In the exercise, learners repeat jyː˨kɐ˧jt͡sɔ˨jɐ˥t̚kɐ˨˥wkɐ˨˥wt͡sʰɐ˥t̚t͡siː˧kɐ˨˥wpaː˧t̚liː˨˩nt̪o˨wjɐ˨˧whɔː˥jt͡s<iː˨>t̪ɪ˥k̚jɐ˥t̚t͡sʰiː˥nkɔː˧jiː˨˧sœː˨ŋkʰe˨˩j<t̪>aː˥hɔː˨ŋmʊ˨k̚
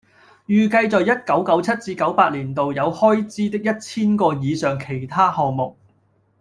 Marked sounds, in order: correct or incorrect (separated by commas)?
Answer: incorrect, incorrect